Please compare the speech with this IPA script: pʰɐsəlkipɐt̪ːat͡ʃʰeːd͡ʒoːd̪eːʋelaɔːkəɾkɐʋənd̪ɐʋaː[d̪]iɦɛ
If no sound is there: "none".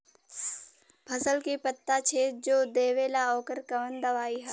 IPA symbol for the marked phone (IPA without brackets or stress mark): none